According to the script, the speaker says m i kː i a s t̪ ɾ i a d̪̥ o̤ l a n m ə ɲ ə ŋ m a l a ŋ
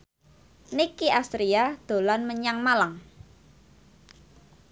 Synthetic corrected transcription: n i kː i a s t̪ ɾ i a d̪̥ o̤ l a n m ə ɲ a ŋ m a l a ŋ